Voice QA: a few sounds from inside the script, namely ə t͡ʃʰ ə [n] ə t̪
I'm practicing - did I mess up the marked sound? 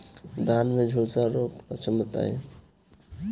yes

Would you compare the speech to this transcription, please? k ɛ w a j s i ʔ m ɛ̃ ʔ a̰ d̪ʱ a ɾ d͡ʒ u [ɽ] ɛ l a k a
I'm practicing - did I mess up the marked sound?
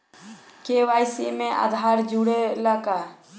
no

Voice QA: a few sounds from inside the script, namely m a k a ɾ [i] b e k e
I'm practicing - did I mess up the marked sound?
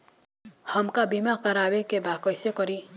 yes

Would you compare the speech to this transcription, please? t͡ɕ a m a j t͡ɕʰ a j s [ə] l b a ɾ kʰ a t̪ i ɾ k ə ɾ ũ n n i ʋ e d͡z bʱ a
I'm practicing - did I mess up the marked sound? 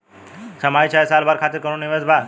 yes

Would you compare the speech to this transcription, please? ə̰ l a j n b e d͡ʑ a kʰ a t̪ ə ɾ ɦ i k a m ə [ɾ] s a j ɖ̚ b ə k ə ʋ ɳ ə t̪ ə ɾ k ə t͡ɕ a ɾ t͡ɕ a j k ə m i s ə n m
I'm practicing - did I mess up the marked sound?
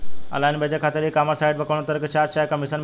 no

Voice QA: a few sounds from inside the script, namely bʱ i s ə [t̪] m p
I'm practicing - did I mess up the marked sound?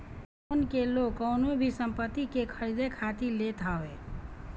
yes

